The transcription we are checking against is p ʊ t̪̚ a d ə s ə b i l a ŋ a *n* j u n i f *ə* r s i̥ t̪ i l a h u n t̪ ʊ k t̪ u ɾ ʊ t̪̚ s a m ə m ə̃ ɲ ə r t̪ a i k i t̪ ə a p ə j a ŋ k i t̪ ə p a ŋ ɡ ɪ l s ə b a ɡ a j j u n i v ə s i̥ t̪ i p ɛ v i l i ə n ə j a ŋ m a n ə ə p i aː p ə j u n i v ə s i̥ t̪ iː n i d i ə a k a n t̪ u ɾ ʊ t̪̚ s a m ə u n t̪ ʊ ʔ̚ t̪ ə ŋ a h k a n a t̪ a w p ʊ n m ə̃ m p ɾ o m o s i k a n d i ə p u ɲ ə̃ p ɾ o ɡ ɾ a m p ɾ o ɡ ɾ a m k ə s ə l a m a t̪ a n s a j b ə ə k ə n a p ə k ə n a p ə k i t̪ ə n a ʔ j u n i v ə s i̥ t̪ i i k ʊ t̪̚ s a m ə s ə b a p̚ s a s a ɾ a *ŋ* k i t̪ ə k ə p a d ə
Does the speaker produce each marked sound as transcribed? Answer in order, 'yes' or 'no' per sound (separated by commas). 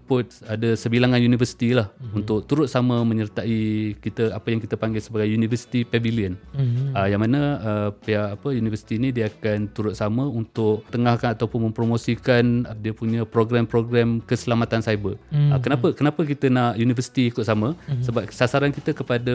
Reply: yes, yes, no